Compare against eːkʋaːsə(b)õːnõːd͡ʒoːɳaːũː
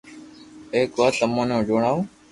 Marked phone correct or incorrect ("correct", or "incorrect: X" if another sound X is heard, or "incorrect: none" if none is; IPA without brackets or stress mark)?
incorrect: m